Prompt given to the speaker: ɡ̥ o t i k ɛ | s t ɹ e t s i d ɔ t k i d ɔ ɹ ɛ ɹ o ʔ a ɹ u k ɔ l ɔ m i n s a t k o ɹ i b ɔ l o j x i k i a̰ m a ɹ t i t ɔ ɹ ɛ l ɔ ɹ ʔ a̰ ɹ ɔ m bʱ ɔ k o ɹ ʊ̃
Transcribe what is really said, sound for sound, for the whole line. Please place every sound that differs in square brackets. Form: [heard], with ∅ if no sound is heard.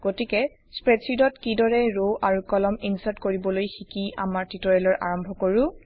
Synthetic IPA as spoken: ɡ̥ o t i k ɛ | s [p] ɹ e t s i d ɔ t k i d ɔ ɹ ɛ ɹ o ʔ a ɹ u k ɔ l ɔ m i n s a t k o ɹ i b ɔ l o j x i k i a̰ m a ɹ t i t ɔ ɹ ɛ l ɔ ɹ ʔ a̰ ɹ ɔ m bʱ ɔ k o ɹ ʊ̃